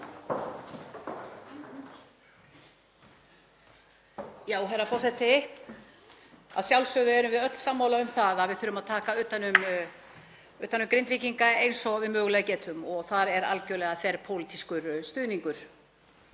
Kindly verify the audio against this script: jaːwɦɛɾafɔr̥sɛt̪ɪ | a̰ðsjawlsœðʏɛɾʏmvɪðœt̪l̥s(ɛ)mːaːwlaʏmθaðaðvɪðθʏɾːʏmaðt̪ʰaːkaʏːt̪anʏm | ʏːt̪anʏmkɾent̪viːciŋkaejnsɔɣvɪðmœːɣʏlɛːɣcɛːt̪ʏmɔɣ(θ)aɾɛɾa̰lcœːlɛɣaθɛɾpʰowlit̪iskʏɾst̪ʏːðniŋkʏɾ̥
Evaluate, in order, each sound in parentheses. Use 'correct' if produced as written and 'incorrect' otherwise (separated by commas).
incorrect, correct